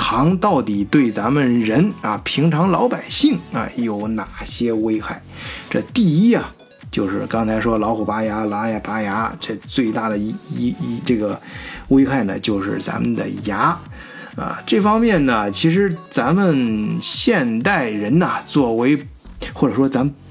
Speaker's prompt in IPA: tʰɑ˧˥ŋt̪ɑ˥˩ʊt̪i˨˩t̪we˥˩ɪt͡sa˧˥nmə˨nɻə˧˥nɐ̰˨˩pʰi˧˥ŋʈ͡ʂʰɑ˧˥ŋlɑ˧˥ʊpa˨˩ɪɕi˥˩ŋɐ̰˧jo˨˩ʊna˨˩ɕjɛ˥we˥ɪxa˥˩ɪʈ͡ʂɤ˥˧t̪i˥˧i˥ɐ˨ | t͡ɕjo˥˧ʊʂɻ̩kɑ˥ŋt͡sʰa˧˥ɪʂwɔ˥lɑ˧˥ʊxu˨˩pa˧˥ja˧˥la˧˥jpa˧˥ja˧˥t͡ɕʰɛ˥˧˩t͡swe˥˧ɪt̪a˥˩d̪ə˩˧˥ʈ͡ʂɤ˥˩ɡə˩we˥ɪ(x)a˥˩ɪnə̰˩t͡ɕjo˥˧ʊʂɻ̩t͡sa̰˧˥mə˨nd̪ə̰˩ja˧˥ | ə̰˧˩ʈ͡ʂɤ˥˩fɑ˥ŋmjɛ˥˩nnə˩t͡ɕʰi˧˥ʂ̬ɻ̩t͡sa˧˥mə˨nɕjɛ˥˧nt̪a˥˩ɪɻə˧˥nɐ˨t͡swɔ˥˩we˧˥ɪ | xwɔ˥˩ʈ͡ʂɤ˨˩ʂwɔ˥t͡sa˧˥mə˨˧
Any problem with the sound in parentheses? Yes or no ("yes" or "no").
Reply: no